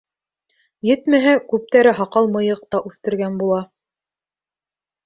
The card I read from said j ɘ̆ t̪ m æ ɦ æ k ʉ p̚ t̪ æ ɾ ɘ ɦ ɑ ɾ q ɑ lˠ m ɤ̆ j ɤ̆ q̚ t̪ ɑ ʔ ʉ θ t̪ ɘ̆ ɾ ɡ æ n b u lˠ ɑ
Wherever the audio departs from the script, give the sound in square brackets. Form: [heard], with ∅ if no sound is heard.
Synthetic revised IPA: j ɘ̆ t̪ m æ ɦ æ k ʉ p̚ t̪ æ ɾ ɘ ɦ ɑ [∅] q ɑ lˠ m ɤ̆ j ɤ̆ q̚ t̪ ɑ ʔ ʉ θ t̪ ɘ̆ ɾ ɡ æ n b u lˠ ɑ